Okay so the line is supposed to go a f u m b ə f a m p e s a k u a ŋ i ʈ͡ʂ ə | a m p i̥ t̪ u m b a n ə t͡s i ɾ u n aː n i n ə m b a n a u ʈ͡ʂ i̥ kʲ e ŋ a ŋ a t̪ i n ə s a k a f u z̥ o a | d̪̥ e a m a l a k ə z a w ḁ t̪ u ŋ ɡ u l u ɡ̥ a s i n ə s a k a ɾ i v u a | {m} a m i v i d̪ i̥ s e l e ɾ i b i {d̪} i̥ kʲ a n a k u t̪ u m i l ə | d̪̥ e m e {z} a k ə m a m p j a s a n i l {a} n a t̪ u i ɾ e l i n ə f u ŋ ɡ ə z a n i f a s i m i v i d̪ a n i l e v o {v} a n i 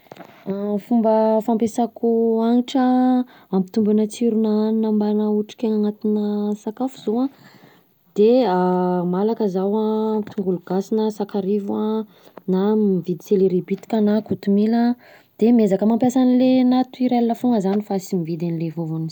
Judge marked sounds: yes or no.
no, no, yes, no, yes

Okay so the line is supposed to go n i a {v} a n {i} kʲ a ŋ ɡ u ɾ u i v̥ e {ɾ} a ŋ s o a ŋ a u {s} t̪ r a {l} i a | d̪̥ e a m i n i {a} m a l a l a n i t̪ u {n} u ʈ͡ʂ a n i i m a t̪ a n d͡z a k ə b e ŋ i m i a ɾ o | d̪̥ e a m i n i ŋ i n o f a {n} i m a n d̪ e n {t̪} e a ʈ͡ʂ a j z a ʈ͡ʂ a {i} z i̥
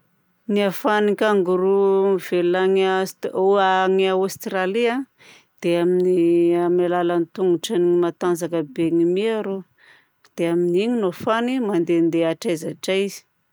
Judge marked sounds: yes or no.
no, yes, no, yes, yes, yes, no, yes, no, yes

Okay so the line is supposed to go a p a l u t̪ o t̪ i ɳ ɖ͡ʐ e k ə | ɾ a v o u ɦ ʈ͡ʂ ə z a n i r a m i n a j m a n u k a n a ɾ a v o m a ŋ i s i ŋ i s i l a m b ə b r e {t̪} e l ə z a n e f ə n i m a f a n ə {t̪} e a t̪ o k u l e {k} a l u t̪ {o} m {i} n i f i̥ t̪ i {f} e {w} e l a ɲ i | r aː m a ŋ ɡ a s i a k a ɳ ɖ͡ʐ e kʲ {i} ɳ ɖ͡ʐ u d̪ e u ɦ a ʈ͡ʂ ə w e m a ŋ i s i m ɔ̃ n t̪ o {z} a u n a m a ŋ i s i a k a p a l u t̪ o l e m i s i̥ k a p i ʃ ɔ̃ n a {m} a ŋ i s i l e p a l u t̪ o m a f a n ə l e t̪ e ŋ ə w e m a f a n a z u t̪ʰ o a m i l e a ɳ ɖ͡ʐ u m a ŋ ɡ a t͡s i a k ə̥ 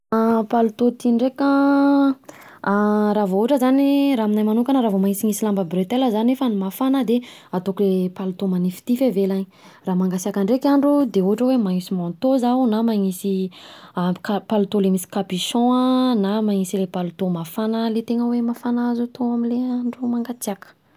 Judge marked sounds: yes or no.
yes, no, no, yes, no, yes, no, no, yes, yes

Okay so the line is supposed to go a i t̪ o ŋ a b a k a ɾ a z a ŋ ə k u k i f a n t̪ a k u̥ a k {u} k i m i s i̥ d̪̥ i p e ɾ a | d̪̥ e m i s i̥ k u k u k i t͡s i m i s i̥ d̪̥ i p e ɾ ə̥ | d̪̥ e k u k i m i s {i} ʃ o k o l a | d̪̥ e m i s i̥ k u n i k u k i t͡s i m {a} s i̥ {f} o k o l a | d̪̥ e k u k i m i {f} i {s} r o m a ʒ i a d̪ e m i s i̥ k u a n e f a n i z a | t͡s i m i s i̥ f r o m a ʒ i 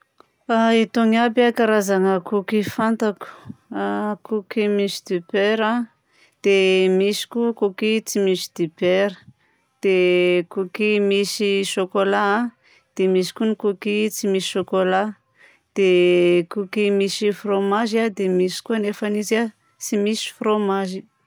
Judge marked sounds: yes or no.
yes, yes, no, no, no, no

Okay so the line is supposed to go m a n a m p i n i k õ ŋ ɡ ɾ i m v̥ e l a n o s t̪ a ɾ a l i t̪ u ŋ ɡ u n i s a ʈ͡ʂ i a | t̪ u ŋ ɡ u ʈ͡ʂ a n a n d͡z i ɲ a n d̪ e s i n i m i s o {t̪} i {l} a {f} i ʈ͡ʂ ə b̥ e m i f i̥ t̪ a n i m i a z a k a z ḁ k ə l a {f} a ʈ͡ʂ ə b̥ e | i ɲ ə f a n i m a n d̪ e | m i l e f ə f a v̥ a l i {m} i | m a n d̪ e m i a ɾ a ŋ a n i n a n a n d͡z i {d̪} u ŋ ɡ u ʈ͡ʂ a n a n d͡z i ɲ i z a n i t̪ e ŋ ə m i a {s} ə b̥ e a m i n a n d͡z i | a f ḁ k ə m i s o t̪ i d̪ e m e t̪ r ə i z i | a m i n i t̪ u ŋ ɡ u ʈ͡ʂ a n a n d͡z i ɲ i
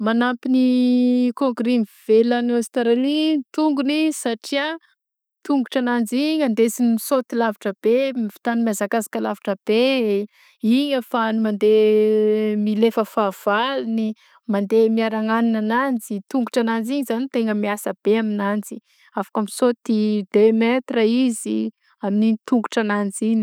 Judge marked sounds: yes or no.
yes, yes, no, no, no, no, yes

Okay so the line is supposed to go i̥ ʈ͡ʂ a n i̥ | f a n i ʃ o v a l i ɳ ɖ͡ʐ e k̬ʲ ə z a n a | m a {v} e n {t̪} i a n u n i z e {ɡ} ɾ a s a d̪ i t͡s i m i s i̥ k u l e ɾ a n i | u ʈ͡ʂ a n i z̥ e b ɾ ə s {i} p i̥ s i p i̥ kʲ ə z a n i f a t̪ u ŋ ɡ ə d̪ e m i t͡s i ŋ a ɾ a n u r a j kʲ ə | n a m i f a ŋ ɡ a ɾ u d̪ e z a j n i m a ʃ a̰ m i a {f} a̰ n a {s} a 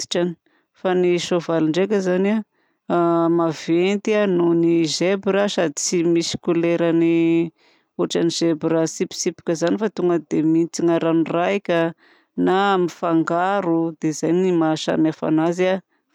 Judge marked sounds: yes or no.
yes, yes, no, yes, yes, no

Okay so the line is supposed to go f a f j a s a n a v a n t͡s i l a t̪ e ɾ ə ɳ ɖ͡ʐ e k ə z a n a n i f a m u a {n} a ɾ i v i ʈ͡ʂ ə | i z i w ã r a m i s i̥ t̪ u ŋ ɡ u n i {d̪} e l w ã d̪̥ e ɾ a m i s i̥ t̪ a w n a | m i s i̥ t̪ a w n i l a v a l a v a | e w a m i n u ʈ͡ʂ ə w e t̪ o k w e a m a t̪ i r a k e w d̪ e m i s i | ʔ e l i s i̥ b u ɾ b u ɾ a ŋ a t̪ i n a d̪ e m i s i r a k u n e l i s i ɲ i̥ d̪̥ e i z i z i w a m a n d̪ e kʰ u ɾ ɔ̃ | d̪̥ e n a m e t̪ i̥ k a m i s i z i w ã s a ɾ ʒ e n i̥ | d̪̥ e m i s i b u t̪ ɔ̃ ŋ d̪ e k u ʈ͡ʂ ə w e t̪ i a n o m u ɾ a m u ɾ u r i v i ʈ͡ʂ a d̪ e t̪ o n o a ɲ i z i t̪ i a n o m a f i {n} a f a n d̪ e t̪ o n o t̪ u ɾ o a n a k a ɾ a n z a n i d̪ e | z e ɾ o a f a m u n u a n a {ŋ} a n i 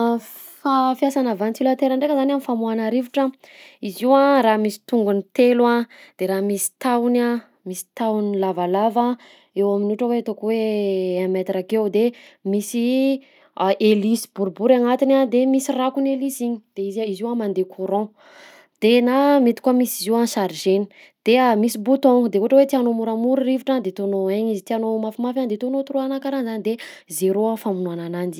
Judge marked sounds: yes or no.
yes, no, no, no

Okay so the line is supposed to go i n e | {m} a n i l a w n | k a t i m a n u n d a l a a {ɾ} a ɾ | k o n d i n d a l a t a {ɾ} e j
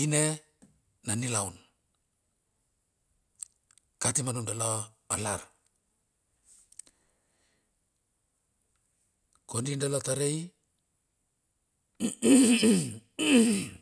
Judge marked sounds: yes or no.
no, no, yes

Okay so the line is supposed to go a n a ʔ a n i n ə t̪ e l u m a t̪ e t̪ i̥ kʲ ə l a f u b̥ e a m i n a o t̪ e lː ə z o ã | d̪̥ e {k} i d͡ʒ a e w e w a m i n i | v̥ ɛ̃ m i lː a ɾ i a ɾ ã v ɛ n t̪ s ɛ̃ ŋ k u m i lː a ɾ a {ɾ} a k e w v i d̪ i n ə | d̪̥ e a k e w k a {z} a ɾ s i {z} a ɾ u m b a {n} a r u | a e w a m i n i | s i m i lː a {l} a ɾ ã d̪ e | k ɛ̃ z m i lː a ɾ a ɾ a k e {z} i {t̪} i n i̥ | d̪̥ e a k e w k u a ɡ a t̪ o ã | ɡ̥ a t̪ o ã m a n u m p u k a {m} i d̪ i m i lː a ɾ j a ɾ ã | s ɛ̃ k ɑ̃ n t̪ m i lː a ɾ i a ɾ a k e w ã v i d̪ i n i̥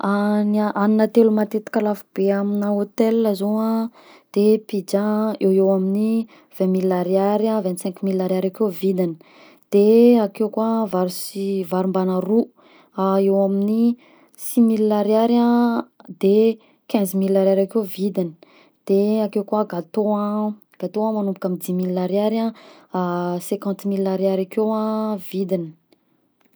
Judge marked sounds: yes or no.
no, yes, no, no, yes, no, no, no, yes

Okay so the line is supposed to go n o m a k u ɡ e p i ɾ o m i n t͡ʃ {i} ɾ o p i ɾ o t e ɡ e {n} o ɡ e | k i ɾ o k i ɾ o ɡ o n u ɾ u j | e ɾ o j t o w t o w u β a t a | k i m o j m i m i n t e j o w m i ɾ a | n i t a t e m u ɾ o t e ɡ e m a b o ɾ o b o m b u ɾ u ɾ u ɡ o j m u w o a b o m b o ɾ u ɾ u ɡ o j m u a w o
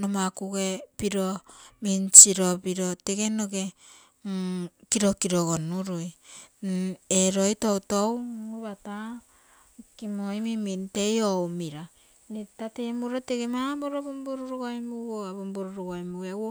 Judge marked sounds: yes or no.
yes, yes

